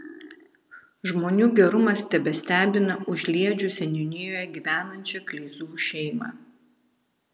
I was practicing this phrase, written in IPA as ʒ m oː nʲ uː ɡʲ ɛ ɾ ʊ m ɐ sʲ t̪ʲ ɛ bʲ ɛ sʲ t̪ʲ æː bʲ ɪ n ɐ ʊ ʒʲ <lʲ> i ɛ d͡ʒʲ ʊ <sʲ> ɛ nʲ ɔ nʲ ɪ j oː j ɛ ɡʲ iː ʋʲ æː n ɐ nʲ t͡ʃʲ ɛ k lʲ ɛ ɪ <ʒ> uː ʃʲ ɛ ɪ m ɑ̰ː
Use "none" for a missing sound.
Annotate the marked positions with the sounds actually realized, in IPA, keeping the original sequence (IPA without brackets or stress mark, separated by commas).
lʲ, sʲ, z